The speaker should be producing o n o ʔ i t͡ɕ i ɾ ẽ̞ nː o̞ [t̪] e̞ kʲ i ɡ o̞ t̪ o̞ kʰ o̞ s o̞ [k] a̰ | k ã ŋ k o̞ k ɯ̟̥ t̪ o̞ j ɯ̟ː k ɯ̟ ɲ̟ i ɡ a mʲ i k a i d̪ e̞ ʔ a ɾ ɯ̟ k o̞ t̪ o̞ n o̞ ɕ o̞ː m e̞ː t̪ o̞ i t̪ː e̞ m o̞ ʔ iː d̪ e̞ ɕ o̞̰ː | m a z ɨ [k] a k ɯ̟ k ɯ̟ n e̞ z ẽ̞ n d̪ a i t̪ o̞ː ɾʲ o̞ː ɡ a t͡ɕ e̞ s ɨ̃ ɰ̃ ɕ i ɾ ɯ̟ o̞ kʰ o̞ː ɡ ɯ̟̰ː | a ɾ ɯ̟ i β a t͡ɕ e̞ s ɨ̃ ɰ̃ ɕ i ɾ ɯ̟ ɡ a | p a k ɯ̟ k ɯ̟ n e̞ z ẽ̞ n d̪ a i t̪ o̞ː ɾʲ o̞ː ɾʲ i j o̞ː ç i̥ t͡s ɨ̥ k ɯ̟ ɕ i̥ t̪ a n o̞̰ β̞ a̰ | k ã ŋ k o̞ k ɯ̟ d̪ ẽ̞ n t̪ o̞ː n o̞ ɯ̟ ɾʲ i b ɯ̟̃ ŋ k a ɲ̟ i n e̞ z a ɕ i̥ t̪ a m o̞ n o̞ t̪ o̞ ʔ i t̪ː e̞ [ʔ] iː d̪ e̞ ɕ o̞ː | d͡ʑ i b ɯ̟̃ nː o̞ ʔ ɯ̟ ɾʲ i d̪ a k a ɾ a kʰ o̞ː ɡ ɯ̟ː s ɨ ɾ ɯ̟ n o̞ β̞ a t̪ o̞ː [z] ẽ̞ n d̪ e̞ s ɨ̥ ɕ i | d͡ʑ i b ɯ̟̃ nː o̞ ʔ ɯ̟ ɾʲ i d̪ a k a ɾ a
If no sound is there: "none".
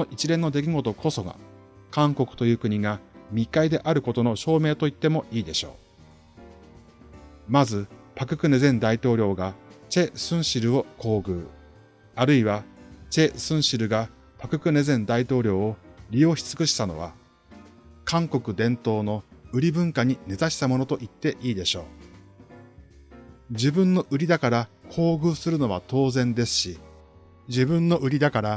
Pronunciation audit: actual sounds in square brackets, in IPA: d̪, ɡ, p, ʔ, z

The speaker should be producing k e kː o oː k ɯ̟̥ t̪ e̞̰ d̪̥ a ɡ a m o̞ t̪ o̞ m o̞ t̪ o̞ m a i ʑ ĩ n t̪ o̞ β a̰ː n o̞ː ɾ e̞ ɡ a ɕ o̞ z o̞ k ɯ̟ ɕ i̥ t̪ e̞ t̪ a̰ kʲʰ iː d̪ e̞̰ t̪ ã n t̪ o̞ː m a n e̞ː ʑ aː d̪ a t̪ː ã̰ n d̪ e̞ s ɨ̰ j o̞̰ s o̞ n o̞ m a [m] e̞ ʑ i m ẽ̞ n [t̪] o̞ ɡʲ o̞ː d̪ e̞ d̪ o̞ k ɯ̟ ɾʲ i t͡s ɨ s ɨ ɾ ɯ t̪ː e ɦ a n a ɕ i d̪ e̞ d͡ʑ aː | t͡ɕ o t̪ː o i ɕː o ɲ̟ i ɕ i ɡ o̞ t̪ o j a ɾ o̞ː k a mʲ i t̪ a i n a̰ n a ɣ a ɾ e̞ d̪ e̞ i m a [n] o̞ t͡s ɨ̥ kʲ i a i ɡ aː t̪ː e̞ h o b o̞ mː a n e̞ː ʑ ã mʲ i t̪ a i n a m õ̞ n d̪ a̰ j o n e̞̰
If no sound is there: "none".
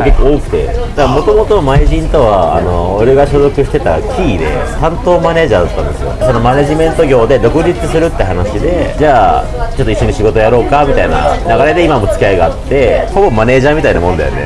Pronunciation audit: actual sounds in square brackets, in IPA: n, t̪, m

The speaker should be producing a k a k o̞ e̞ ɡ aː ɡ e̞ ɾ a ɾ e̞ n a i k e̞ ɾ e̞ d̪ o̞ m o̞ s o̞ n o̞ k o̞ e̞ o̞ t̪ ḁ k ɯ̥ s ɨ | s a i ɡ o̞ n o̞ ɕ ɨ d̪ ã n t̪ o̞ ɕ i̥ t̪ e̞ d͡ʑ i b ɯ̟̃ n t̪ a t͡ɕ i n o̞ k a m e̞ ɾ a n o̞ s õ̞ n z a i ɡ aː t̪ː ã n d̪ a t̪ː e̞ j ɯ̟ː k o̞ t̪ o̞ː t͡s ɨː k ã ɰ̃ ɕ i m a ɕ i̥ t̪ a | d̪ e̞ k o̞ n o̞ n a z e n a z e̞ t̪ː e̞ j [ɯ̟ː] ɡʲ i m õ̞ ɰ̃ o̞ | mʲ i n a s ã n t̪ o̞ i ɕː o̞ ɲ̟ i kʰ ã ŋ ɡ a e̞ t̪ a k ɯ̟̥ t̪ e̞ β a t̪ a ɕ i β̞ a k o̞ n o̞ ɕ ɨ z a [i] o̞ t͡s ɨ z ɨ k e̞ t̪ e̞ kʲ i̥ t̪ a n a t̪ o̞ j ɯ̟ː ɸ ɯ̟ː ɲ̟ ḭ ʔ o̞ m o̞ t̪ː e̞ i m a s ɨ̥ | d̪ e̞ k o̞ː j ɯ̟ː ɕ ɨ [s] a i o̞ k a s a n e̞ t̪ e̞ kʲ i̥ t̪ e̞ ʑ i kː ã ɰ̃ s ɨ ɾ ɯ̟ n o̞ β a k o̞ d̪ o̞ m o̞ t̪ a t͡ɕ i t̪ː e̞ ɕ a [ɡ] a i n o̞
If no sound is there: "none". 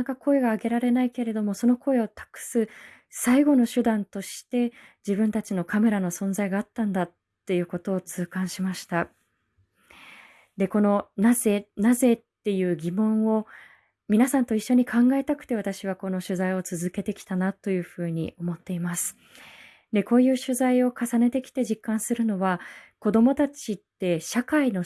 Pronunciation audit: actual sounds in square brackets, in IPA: ɯ̟ː, i, z, k

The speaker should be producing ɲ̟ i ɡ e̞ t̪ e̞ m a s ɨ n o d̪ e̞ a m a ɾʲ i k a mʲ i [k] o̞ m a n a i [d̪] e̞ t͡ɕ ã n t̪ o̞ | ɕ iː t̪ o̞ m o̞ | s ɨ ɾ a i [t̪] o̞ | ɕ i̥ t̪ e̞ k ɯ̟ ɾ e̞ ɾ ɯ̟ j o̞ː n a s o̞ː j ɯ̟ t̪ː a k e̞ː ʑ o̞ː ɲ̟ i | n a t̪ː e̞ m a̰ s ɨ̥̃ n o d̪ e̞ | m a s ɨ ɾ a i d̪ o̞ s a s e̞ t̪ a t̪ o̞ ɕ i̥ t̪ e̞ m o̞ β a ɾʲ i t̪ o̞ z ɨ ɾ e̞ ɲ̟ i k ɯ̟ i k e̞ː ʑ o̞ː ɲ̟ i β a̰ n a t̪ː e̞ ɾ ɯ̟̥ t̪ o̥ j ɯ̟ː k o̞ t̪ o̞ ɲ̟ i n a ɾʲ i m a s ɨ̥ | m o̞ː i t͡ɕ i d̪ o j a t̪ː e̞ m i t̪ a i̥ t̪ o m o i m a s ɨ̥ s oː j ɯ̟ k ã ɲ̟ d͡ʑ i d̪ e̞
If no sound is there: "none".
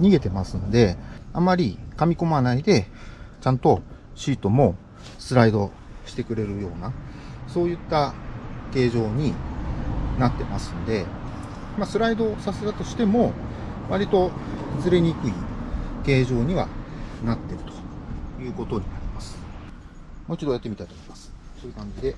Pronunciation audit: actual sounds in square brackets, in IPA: k, d̪, d̪

